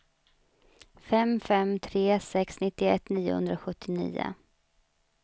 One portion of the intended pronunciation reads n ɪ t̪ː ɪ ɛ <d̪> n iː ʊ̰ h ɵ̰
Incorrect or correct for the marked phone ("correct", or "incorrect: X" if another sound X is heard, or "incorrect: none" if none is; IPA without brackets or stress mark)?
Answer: incorrect: t̪